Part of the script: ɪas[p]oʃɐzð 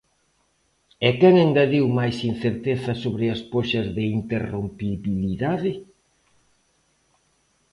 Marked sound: correct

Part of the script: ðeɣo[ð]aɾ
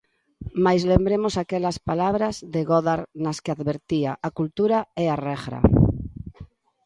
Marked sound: correct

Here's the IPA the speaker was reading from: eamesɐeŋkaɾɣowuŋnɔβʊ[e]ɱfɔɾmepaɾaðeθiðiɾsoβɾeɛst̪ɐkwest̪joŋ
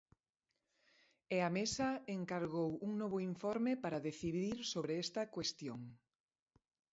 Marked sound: incorrect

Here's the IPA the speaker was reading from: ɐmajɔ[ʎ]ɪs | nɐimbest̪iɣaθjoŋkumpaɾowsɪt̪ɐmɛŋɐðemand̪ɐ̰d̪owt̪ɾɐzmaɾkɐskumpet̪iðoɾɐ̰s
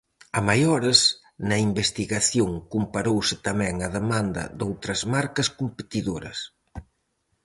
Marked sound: incorrect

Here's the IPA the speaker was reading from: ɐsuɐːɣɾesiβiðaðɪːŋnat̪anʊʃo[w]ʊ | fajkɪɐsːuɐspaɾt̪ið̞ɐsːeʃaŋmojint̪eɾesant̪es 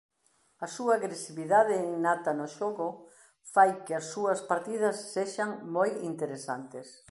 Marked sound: incorrect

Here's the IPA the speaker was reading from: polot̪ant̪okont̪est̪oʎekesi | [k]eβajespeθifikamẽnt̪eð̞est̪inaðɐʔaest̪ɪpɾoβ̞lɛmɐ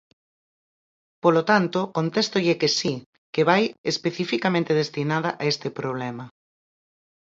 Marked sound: correct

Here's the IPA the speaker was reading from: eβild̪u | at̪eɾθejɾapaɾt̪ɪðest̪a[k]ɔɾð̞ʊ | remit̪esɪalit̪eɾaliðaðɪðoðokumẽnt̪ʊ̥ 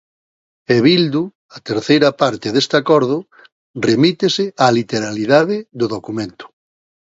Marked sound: correct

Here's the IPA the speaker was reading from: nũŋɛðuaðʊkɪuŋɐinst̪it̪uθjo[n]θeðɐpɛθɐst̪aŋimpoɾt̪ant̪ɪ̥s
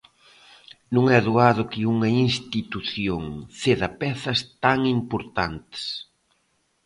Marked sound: incorrect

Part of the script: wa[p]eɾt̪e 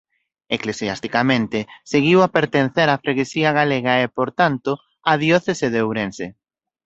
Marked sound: correct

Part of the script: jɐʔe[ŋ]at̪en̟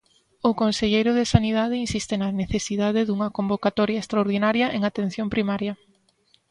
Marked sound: correct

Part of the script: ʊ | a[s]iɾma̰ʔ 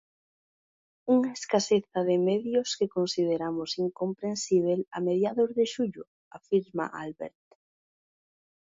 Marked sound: incorrect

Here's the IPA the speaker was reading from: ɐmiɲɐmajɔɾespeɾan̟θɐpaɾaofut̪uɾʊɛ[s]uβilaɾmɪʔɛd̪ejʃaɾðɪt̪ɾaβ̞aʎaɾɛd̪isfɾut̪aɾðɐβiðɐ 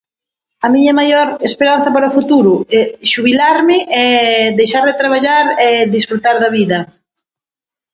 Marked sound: incorrect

